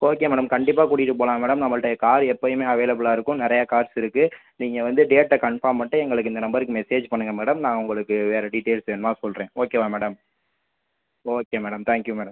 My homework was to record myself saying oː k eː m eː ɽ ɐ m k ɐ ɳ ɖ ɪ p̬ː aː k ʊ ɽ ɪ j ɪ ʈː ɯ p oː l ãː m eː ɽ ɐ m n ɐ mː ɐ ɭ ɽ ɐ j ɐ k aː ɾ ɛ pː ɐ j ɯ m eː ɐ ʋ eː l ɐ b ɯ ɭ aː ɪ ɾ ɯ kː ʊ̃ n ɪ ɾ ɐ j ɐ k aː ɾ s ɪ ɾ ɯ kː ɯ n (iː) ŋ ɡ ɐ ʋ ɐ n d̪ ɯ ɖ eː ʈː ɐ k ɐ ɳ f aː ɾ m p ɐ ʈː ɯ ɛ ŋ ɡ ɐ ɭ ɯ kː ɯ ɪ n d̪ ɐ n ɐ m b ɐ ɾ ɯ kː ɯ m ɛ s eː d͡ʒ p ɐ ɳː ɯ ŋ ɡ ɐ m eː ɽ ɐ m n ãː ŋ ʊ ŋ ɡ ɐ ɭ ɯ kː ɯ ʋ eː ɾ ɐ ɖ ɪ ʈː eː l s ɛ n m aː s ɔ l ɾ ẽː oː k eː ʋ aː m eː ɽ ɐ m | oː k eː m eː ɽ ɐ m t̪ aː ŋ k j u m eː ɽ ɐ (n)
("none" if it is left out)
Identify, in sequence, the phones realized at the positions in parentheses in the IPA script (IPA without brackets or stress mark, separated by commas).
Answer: iː, m